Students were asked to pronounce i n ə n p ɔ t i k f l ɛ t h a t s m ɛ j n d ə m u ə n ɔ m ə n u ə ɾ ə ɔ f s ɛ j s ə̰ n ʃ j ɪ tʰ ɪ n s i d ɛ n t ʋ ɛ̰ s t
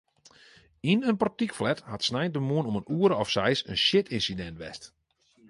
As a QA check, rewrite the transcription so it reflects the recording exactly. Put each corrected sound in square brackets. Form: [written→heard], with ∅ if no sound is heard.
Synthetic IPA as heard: i n ə n p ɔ t i k f l ɛ t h a t s [m→n] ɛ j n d ə m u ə n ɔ m ə n u ə ɾ ə ɔ f s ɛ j s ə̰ n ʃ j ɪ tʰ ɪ n s i d ɛ n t ʋ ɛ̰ s t

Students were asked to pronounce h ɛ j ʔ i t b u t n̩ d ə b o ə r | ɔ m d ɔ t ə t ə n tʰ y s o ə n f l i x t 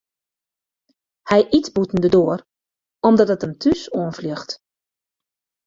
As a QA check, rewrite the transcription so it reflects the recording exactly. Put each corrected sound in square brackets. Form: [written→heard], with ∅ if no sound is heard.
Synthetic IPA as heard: h ɛ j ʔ i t b u t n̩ d ə [b→d] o ə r | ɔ m d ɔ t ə t ə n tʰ y s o ə n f l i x t

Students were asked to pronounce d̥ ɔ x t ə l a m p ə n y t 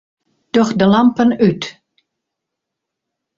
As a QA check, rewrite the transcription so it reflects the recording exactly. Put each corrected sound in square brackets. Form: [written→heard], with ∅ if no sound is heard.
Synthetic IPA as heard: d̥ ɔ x [t→d] ə l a m p ə n y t

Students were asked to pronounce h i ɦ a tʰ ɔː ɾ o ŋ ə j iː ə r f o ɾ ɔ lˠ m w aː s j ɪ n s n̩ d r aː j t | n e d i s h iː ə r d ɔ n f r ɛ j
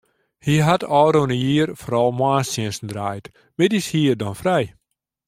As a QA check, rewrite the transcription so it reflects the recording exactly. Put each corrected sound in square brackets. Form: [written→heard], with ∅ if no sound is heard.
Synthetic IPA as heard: h i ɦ a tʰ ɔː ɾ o [ŋ→n] ə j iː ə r f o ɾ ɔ lˠ m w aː s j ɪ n s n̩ d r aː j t | [n→m] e d i s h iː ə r d ɔ n f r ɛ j

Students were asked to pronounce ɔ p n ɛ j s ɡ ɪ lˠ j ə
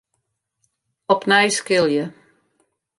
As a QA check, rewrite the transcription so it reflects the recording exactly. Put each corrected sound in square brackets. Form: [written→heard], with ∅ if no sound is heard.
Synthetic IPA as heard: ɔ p n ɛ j s [ɡ→k] ɪ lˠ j ə

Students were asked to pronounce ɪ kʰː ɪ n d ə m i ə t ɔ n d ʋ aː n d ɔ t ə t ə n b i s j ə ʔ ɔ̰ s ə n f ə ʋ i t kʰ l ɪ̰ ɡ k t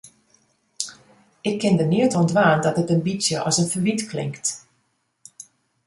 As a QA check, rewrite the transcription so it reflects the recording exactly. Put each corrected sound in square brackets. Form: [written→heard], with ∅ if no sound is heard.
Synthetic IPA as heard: ɪ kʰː ɪ n d ə [m→n] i ə t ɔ n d ʋ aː n d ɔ t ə t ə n b i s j ə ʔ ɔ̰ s ə n f ə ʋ i t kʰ l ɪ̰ [ɡ→ŋ] k t

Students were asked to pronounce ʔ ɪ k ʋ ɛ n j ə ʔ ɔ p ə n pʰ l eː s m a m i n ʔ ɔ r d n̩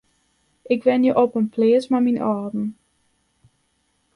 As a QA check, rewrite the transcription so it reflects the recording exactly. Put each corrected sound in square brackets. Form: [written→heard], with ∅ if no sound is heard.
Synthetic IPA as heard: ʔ ɪ k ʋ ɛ n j ə ʔ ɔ p ə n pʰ l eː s m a m i n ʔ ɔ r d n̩

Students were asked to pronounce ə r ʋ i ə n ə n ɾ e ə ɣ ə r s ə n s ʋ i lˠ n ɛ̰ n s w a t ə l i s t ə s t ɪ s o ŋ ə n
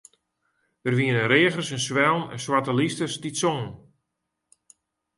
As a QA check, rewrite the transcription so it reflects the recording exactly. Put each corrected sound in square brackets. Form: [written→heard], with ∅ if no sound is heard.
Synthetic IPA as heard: ə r ʋ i ə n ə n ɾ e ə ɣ ə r s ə n s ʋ [i→ɛ] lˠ n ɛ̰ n s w a t ə l i s t ə s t [ɪ→i] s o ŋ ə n

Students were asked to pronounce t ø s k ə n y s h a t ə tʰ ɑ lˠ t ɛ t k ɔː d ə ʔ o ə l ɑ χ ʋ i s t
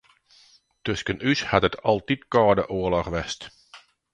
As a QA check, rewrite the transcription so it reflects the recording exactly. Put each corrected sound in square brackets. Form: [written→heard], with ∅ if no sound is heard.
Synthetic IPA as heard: t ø s k ə n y s h a t ə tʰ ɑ lˠ t [ɛ→i] t k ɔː d ə ʔ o ə l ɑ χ ʋ [i→ɛ] s t

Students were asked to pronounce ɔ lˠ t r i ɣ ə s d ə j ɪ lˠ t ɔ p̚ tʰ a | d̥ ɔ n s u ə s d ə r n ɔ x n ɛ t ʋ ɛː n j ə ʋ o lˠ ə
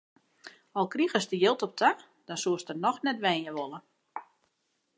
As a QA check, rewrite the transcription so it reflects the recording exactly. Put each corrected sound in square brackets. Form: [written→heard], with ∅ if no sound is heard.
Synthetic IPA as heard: ɔ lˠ [t→k] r i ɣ ə s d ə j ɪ lˠ t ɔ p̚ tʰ a | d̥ ɔ n s u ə s [d→t] ə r n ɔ x n ɛ t ʋ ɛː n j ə ʋ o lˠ ə

